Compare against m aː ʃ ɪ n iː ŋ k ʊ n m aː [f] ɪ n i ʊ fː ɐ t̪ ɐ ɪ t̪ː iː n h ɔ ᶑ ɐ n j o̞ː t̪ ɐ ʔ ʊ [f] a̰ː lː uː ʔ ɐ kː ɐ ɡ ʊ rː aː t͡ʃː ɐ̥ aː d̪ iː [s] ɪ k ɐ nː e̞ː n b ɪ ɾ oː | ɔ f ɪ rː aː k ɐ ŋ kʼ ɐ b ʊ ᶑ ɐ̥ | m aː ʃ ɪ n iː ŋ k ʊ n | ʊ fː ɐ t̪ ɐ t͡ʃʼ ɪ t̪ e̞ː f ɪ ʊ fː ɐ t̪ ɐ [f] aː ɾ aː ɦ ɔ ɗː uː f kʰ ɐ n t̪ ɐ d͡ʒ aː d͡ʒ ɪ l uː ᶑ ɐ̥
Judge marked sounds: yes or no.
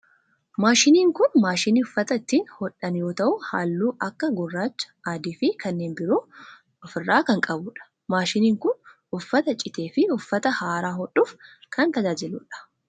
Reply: no, no, no, no

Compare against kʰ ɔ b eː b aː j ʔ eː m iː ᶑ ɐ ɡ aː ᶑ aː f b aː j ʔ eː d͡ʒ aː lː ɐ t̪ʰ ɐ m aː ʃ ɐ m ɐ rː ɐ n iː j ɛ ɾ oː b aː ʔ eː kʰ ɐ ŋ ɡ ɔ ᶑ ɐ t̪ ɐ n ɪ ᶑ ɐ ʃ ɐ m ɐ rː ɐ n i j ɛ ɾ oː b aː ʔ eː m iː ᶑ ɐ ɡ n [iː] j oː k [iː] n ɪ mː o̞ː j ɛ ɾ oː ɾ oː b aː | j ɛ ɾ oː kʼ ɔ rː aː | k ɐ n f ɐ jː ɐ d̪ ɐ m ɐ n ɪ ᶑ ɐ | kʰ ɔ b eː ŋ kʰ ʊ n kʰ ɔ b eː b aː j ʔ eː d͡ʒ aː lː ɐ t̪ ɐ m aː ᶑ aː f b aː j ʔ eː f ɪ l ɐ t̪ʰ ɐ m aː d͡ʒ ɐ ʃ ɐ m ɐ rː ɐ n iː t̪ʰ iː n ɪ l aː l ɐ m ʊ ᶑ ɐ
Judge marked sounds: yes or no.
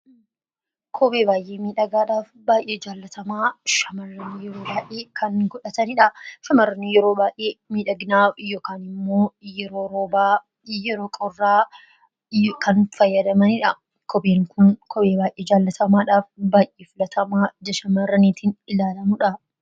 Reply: no, no

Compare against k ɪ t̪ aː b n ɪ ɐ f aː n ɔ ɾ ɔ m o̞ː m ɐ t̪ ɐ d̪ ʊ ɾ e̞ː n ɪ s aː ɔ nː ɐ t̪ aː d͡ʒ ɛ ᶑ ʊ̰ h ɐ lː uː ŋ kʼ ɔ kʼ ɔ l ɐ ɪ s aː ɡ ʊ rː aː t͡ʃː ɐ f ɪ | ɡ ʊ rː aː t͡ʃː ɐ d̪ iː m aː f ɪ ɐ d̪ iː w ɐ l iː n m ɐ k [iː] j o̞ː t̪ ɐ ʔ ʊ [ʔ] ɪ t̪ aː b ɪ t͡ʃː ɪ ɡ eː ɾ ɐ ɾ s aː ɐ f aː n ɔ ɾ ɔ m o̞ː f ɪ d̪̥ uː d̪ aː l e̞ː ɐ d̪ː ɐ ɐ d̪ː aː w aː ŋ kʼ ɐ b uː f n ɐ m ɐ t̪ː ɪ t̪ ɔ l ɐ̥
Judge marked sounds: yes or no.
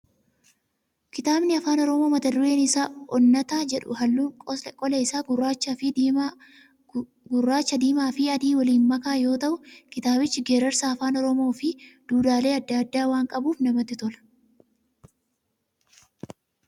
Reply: no, no

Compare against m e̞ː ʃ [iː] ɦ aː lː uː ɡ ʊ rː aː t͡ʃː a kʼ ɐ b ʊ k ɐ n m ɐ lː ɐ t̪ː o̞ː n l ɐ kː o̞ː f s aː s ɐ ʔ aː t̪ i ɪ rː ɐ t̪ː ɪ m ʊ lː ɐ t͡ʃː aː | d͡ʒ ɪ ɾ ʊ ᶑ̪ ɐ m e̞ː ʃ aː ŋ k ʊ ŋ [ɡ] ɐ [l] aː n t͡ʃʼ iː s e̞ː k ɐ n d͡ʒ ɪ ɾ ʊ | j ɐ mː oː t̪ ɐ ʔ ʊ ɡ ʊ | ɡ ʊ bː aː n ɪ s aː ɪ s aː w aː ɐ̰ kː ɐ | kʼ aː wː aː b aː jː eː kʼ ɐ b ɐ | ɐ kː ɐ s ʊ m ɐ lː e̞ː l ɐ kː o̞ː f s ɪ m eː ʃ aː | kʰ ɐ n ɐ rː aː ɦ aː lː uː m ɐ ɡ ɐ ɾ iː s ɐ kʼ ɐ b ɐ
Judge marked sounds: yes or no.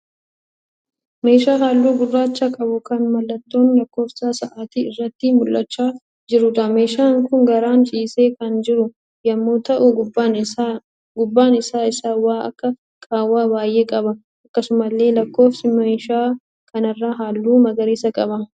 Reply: no, yes, no

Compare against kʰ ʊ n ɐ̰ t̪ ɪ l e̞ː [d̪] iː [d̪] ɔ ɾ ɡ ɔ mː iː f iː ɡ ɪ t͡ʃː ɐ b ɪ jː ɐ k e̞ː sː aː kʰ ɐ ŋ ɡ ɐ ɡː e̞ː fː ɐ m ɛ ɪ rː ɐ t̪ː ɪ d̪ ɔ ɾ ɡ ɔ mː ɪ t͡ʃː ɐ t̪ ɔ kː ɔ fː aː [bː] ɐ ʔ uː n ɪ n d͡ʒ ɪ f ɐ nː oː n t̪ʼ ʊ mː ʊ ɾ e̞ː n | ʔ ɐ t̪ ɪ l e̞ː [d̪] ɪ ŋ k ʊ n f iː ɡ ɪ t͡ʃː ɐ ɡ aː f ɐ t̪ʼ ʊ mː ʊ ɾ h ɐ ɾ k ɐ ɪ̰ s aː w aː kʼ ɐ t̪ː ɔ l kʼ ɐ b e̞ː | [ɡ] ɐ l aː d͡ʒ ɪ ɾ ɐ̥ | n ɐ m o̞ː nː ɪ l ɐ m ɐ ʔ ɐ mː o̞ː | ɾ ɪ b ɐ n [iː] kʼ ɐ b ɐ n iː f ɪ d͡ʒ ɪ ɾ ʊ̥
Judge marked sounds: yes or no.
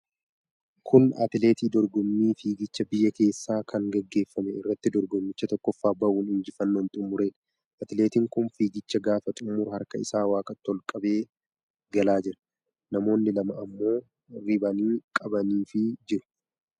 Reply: no, yes, no, no, yes, yes

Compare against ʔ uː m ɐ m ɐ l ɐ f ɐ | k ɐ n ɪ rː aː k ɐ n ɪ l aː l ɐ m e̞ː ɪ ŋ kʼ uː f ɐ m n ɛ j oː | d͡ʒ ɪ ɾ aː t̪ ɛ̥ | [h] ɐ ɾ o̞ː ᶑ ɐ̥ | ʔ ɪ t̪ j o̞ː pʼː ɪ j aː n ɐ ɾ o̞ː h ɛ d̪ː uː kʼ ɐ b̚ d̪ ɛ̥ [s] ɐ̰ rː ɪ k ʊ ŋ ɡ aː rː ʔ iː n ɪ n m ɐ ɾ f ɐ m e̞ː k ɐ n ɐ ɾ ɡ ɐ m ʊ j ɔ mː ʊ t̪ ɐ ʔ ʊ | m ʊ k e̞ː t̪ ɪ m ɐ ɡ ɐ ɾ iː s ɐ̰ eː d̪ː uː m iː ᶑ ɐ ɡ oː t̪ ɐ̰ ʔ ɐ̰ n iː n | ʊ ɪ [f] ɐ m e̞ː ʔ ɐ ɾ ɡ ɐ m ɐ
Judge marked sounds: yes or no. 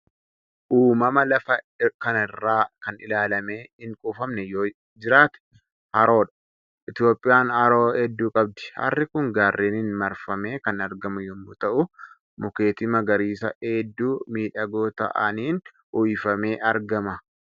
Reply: yes, no, yes

